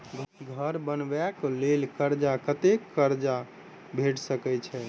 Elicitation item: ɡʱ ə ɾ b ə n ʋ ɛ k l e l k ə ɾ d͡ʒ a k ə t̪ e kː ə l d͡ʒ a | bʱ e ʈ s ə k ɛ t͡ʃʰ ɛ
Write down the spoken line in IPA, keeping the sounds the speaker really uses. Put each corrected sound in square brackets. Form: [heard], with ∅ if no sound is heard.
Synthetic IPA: ɡʱ ə ɾ b ə n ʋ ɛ k l e l k ə ɾ d͡ʒ a k ə t̪ e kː ə [ɾ] d͡ʒ a | bʱ e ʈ s ə k ɛ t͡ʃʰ ɛ